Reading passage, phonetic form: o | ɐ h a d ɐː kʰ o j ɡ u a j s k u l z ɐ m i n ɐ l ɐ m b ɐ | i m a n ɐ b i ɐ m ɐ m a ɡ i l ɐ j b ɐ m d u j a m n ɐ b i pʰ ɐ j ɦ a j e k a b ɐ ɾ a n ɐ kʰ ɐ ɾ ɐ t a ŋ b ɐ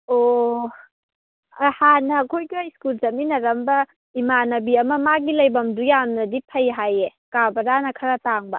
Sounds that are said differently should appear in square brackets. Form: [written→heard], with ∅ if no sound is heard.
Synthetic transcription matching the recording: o | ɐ h a [d→n] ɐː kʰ o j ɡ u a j s k u l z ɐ m i n ɐ [l→ɾ] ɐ m b ɐ | i m a n ɐ b i ɐ m ɐ m a ɡ i l ɐ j b ɐ m d u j a m n ɐ [b→d] i pʰ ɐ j ɦ a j e k a b ɐ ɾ a n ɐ kʰ ɐ ɾ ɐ t a ŋ b ɐ